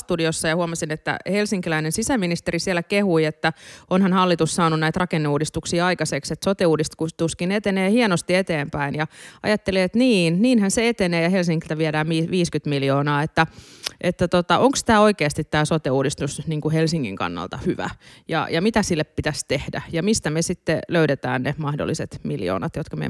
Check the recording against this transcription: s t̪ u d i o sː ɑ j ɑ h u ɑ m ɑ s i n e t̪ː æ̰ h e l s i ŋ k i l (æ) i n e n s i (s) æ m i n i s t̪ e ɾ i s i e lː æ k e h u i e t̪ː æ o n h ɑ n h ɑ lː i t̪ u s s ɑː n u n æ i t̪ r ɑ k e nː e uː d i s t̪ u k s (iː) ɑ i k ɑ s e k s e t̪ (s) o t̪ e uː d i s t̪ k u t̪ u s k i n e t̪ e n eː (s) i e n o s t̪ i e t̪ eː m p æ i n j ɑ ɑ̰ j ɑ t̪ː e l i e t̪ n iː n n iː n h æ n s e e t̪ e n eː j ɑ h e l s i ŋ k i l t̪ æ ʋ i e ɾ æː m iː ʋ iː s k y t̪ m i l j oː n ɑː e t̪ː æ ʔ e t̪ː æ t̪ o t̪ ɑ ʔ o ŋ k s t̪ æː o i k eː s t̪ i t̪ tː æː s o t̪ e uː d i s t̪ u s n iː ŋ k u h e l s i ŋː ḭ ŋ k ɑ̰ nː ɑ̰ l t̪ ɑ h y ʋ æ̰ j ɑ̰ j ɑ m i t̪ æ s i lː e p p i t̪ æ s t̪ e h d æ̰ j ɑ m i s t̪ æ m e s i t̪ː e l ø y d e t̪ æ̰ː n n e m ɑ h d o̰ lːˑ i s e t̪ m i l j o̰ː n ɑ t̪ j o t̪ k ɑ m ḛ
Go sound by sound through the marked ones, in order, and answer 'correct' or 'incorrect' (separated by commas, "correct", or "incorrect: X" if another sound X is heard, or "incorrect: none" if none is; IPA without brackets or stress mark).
correct, correct, correct, correct, incorrect: h